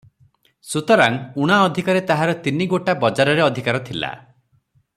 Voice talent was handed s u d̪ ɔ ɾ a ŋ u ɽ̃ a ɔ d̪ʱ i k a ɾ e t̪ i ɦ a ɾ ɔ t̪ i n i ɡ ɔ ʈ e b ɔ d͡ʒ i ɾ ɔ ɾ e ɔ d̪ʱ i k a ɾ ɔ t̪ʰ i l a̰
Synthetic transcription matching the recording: s u t̪ ɔ ɾ a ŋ u ɽ̃ a ɔ d̪ʱ i k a ɾ e t̪ a ɦ a ɾ ɔ t̪ i n i ɡ o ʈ a b ɔ d͡ʒ a ɾ ɔ ɾ e ɔ d̪ʱ i k a ɾ ɔ t̪ʰ i l a̰

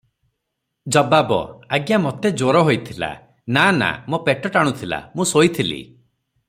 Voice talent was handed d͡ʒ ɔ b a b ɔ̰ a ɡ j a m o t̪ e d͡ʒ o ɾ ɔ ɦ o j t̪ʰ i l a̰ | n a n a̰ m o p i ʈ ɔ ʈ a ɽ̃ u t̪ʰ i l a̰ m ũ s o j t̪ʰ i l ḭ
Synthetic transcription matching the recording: d͡ʒ ɔ b a b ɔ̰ a ɡ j a m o t̪ e d͡ʒ o ɾ ɔ ɦ o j t̪ʰ i l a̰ | n a n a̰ m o p e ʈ ɔ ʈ a ɽ̃ u t̪ʰ i l a̰ m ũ s o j t̪ʰ i l ḭ

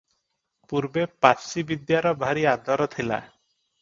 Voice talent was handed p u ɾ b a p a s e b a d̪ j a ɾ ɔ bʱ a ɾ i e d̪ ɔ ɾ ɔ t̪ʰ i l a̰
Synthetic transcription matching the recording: p u ɾ b e p a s i b i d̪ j a ɾ ɔ bʱ a ɾ i a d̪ ɔ ɾ ɔ t̪ʰ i l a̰

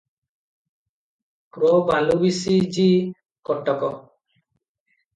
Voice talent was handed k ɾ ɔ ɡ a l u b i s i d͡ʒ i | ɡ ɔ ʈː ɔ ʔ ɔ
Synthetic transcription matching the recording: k ɾ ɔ b a l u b i s i d͡ʒ i | k ɔ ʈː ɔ k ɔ

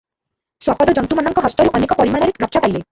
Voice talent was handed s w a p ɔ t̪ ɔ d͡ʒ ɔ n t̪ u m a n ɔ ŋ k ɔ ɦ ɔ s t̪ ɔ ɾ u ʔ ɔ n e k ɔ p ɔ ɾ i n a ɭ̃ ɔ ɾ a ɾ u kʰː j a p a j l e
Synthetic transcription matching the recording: s w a p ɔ d̪ ɔ d͡ʒ ɔ n t̪ u m a n ɔ ŋ k ɔ ɦ ɔ s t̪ ɔ ɾ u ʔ ɔ n e k ɔ p ɔ ɾ i m a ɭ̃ ɔ ɾ e ɾ ɔ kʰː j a p a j l e

